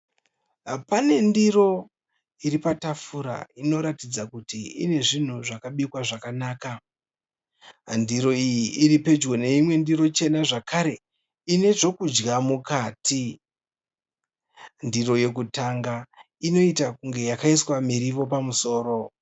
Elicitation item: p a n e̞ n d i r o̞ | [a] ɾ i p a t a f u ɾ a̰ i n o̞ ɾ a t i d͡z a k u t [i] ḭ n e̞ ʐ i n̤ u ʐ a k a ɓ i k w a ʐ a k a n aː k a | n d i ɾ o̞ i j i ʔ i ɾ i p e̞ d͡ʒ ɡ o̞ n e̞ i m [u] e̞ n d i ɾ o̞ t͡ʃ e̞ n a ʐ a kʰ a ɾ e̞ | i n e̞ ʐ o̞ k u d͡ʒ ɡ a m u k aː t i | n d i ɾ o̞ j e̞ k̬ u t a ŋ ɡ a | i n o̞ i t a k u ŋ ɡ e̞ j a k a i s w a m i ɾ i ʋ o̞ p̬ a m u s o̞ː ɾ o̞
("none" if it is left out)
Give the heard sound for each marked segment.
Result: i, i, w

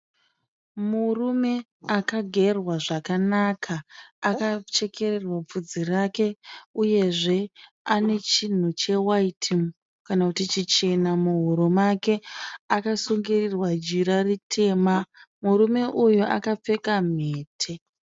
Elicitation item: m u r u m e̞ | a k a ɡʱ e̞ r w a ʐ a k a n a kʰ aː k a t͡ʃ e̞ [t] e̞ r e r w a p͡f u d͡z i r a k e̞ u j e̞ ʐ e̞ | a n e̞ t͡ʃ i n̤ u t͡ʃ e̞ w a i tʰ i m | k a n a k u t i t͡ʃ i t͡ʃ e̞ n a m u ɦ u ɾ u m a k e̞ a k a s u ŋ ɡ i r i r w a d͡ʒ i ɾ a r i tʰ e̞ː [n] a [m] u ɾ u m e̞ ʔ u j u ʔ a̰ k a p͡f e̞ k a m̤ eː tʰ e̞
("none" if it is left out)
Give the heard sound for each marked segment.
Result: k, m, m

